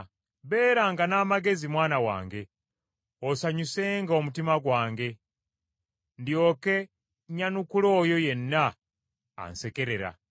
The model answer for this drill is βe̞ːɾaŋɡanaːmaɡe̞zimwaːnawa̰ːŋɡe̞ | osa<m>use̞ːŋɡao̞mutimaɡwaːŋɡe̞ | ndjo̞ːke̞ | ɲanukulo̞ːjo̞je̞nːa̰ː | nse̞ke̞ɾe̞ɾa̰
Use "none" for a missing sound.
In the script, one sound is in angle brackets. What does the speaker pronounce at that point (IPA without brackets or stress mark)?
ɲ